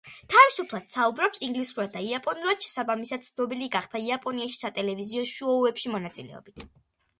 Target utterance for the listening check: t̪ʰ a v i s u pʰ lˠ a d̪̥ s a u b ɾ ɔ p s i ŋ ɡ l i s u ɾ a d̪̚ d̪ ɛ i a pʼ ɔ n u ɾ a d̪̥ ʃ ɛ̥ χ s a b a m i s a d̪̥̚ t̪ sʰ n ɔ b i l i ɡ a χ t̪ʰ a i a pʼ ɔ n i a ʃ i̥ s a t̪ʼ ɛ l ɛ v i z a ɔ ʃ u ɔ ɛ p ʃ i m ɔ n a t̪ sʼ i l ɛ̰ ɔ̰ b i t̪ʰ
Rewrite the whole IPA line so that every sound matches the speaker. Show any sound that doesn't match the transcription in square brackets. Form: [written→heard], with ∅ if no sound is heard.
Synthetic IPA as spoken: t̪ʰ a v i s u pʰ lˠ a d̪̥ s a u b ɾ ɔ p s i ŋ ɡ l i s u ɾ a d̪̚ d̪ [ɛ→a] i a pʼ ɔ n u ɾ a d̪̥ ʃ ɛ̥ [χ→∅] s a b a m i s a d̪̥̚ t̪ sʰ n ɔ b i l i ɡ a χ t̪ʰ a i a pʼ ɔ n i a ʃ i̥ s a t̪ʼ ɛ l ɛ v i z [a→i] ɔ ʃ u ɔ ɛ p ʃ i m ɔ n a t̪ sʼ i l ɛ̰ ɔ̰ b i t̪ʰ